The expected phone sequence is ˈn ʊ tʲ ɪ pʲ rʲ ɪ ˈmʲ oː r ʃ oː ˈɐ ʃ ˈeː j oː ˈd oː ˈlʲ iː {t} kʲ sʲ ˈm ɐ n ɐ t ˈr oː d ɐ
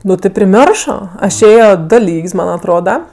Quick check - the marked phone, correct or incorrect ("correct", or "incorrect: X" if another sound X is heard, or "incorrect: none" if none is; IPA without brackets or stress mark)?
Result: incorrect: none